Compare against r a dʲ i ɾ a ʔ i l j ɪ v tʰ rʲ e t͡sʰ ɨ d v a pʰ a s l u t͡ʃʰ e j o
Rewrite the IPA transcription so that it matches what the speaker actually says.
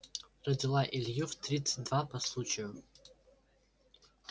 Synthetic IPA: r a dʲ i l a ʔ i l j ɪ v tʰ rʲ i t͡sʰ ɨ d v a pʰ a s l u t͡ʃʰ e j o